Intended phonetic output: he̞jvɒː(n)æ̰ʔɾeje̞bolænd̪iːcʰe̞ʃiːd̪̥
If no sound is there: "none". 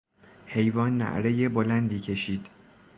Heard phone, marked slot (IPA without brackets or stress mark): nː